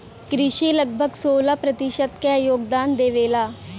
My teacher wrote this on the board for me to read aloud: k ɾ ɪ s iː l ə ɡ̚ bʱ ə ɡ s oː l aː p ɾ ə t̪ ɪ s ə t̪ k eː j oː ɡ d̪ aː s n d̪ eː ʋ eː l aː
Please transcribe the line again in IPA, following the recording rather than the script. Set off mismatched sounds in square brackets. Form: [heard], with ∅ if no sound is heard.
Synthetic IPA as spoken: k ɾ ɪ [ʃ] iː l ə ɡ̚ bʱ ə ɡ s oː l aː p ɾ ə t̪ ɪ [ʃ] ə t̪ k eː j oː ɡ d̪ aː [∅] n d̪ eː ʋ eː l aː